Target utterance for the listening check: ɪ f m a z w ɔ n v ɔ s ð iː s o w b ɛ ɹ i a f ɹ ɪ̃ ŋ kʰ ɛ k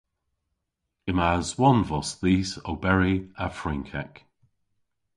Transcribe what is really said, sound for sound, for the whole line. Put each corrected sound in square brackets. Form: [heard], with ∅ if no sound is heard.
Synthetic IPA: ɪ [∅] m a z w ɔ n v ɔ s ð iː s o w b ɛ ɹ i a f ɹ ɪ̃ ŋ kʰ ɛ k